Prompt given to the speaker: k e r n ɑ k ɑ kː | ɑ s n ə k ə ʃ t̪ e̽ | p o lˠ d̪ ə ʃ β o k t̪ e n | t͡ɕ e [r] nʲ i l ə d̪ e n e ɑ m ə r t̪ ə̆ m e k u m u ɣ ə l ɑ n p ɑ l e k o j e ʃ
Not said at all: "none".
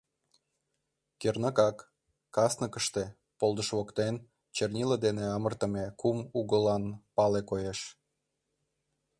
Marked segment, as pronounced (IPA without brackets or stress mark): r